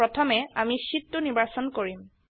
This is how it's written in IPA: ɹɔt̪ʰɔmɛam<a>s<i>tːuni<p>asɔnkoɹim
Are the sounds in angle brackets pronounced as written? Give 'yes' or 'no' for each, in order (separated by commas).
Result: no, yes, no